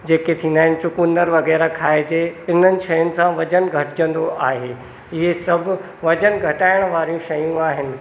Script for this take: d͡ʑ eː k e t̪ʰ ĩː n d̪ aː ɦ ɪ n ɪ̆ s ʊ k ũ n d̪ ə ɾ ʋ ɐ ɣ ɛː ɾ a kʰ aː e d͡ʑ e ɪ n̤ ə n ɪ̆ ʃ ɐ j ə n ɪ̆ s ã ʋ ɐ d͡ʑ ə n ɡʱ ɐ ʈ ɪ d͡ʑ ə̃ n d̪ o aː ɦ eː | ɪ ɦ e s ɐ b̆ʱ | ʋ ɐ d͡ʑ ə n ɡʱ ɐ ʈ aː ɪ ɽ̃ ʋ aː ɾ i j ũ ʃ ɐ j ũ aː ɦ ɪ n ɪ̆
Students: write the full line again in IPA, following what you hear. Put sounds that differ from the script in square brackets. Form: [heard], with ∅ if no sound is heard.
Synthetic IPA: d͡ʑ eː k e t̪ʰ ĩː n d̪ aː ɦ ɪ n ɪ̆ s ʊ k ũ n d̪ ə ɾ ʋ ɐ ɣ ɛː ɾ a kʰ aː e d͡ʑ e ɪ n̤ ə n ɪ̆ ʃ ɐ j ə n ɪ̆ s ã ʋ ɐ d͡ʑ ə n ɡʱ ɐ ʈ ɪ d͡ʑ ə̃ n d̪ o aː ɦ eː | ɪ ɦ e s ɐ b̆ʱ | ʋ ɐ d͡ʑ ə n ɡʱ ɐ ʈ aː ɪ ɽ̃ ʋ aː ɾ i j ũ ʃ ɐ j ũ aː ɦ ɪ n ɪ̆